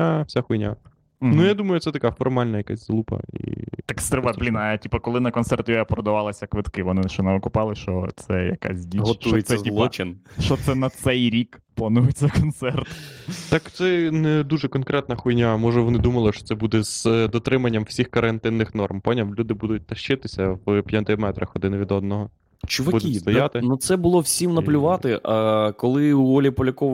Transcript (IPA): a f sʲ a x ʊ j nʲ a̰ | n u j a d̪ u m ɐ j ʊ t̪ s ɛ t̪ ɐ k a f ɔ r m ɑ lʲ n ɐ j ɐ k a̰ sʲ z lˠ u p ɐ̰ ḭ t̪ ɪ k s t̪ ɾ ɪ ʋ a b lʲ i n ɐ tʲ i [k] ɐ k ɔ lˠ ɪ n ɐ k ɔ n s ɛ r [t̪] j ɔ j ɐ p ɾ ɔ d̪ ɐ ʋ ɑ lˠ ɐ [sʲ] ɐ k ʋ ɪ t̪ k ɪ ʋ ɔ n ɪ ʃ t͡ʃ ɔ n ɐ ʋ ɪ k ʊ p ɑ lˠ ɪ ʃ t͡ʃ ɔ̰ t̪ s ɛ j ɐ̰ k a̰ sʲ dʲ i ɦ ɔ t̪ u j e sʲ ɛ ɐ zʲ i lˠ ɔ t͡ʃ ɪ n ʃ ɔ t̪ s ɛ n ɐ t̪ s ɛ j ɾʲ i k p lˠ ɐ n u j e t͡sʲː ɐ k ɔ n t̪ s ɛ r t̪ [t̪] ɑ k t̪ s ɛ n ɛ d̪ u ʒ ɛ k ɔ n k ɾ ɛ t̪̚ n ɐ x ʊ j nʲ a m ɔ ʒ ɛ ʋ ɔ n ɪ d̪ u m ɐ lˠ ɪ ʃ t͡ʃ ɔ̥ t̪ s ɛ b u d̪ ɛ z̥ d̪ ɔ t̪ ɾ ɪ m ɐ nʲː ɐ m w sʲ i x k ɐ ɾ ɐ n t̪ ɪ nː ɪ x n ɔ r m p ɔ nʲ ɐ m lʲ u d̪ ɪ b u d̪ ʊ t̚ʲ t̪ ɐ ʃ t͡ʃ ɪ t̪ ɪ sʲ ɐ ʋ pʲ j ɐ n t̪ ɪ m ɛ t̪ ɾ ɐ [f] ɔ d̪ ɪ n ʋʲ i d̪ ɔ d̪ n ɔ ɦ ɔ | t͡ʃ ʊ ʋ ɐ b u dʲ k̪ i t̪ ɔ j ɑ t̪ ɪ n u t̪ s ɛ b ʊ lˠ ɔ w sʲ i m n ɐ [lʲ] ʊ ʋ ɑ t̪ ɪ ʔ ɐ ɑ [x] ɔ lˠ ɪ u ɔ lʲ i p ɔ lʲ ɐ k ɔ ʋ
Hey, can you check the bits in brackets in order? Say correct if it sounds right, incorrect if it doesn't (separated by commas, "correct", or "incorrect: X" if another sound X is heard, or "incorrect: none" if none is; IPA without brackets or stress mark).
incorrect: p, correct, correct, correct, incorrect: x, correct, incorrect: k